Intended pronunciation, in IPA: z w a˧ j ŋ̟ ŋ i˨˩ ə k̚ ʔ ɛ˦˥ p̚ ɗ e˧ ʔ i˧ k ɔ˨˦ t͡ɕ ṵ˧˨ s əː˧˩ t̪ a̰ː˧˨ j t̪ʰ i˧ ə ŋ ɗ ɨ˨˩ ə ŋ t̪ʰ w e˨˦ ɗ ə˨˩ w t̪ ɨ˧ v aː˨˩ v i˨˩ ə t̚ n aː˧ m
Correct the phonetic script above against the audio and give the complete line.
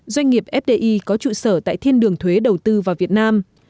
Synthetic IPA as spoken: z w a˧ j ŋ̟ ŋ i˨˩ ə p̚ ʔ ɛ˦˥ p̚ ɗ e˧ ʔ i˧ k ɔ˨˦ t͡ɕ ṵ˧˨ s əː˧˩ t̪ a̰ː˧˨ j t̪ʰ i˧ ə n ɗ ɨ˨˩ ə ŋ t̪ʰ w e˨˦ ɗ ə˨˩ w t̪ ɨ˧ v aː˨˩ v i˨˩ ə t̚ n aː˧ m

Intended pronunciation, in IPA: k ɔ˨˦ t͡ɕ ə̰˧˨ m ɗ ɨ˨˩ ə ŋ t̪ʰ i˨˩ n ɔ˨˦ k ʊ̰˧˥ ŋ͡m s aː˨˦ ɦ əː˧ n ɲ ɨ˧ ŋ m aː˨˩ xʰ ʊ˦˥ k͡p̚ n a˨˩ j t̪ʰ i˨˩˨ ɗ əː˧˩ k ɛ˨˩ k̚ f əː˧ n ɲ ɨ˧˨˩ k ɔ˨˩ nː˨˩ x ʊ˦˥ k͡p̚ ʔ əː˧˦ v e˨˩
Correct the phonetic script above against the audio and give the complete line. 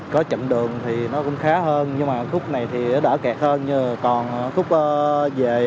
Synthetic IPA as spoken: k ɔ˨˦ t͡ɕ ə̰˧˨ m ɗ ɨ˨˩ ə ŋ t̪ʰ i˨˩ n ɔ˨˦ k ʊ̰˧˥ ŋ͡m x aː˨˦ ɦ əː˧ n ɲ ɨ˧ ŋ m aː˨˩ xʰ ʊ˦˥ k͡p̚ n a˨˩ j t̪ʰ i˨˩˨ ɗ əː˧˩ k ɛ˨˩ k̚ h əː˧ n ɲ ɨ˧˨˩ k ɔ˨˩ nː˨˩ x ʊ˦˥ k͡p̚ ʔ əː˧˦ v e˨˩

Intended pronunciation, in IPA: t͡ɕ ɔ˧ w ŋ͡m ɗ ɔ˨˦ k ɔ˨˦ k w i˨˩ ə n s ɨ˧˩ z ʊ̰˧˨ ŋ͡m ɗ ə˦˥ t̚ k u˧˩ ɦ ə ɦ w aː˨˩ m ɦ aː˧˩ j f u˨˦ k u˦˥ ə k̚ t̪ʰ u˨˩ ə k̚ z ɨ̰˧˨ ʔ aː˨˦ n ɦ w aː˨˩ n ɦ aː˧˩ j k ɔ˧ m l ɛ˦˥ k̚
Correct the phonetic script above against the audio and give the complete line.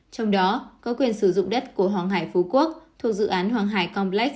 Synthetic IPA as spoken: t͡ɕ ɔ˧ w ŋ͡m ɗ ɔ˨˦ k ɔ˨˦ k w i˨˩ ə n s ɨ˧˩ z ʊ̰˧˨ ŋ͡m ɗ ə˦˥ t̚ k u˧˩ ə ɦ w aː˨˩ ŋ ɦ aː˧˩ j f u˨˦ k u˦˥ ə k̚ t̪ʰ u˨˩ ə k̚ z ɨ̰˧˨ ʔ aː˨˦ n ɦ w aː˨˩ ŋ ɦ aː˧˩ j k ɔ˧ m l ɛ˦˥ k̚

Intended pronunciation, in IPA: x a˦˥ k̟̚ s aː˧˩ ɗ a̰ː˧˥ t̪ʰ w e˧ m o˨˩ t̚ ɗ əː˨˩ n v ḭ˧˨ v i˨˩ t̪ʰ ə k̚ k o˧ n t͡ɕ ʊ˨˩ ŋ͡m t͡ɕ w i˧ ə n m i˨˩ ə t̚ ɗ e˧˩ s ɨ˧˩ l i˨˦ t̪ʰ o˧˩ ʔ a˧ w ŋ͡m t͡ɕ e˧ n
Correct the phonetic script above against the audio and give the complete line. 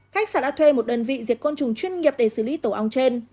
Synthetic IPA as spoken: x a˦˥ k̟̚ s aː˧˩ ɗ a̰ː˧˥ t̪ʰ w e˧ m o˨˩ t̚ ɗ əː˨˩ n v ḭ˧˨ z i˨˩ ə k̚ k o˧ n t͡ɕ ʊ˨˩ ŋ͡m t͡ɕ w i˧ ə n ŋ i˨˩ ə p̚ ɗ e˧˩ s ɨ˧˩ l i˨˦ t̪ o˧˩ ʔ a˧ w ŋ͡m t͡ɕ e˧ n

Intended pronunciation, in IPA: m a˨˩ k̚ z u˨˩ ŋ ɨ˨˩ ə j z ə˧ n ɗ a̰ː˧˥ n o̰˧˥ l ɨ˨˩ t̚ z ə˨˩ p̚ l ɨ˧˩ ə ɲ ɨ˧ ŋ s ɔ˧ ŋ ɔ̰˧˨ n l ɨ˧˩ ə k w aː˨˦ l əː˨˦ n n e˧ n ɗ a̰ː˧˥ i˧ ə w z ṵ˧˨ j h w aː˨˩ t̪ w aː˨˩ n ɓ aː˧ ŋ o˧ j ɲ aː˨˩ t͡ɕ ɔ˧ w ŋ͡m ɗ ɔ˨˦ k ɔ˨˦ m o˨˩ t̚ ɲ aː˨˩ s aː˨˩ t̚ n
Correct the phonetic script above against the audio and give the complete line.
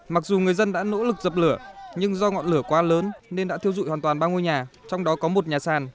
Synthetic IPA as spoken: m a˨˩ k̚ z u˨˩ ŋ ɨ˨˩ ə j z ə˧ n ɗ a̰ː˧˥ n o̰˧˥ l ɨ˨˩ k̚ z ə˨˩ p̚ l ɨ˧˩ ə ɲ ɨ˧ ŋ z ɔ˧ ŋ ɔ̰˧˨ n l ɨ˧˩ ə k w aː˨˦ l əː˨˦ n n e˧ n ɗ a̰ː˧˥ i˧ ə w z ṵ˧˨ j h w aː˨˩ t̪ w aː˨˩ n ɓ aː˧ ŋ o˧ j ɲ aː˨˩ t͡ɕ ɔ˧ w ŋ͡m ɗ ɔ˨˦ k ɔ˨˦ m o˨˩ t̚ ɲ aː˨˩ s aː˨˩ n

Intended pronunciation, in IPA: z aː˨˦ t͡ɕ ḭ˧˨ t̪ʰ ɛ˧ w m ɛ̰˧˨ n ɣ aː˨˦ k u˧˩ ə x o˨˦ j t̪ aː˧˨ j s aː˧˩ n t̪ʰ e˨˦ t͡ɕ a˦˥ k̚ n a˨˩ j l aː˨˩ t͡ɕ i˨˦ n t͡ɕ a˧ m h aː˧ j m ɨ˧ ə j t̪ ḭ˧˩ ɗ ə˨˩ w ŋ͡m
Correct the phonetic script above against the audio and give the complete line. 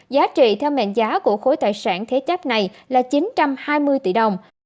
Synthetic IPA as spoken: z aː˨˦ t͡ɕ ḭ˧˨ t̪ʰ ɛ˧ w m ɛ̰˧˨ n z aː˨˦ k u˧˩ ə x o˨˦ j t̪ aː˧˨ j s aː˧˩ n t̪ʰ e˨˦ t͡ɕ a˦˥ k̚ n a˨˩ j l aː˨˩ t͡ɕ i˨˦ n t͡ɕ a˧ m h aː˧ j m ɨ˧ ə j t̪ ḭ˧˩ ɗ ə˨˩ w ŋ͡m

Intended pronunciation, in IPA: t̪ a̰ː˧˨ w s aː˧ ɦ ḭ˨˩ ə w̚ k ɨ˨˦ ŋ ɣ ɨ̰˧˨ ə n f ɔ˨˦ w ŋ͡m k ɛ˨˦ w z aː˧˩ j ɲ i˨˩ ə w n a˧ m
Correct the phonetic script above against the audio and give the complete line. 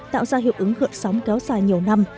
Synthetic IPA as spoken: t̪ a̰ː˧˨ w z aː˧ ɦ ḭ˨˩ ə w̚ ʔ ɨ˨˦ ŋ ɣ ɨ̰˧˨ ə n s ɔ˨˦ w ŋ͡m k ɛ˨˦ w z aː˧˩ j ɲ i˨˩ ə w n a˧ m

